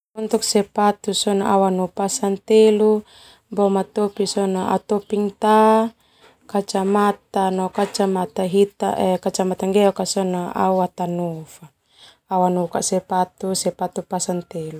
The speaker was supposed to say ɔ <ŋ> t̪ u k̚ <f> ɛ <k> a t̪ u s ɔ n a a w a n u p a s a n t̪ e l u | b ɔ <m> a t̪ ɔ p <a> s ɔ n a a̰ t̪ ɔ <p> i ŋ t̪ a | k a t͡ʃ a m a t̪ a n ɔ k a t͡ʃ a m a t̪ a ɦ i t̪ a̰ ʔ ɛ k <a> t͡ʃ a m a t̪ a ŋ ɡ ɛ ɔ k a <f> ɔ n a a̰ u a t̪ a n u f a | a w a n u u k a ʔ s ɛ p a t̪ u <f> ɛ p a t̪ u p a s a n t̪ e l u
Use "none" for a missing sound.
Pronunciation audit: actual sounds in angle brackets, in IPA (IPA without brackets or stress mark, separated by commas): n, s, p, m, i, p, a, s, s